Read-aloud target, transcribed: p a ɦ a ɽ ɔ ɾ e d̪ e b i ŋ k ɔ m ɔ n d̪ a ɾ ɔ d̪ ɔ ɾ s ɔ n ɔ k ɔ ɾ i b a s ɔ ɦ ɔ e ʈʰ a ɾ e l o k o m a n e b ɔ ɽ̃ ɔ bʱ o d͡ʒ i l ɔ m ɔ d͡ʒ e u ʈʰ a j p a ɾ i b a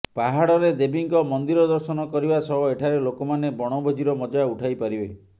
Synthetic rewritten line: p a ɦ a ɽ ɔ ɾ e d̪ e b i ŋ k ɔ m ɔ n d̪ i ɾ ɔ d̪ ɔ ɾ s ɔ n ɔ k ɔ ɾ i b a s ɔ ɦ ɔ e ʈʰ a ɾ e l o k ɔ m a n e b ɔ ɽ̃ ɔ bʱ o d͡ʒ i ɾ ɔ m ɔ d͡ʒ a u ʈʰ a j p a ɾ i b e